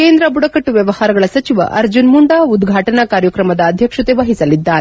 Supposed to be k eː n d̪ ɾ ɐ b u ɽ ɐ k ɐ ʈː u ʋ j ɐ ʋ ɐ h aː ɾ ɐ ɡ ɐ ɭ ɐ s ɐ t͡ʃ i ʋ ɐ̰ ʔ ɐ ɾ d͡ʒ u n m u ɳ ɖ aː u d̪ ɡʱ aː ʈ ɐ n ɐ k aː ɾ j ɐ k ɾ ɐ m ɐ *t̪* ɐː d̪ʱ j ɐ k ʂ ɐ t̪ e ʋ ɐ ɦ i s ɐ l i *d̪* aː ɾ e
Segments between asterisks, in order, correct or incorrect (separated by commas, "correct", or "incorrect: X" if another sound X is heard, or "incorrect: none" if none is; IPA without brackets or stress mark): incorrect: d̪, incorrect: d̪ː